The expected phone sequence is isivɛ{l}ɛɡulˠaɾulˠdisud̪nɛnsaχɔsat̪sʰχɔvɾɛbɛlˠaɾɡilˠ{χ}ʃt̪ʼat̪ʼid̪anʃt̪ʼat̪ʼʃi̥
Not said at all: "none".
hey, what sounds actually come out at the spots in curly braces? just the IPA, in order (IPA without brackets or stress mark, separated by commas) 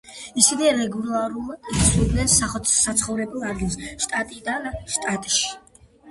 ɾ, s